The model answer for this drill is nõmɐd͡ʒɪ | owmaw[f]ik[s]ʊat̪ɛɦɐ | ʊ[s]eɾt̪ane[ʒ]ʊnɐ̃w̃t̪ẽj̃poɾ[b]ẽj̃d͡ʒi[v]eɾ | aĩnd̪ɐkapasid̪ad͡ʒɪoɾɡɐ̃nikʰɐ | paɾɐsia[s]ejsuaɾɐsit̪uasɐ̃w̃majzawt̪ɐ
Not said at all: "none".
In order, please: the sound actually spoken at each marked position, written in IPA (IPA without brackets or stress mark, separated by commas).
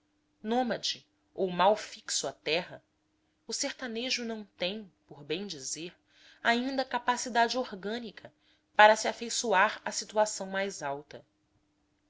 f, s, s, ʒ, b, z, f